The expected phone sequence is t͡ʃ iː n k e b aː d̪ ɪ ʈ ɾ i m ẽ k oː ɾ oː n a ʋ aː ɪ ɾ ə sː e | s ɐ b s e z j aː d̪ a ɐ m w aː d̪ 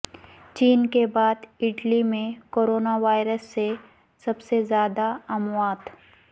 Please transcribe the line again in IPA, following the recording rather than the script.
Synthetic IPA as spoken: t͡ʃ iː n k e b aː d̪ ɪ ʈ l i m ẽ k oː ɾ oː n a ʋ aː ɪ ɾ ə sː e | s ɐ b s e z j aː d̪ a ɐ m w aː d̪